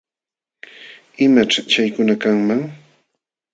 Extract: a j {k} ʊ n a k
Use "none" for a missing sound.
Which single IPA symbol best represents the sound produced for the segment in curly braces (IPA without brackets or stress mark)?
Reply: k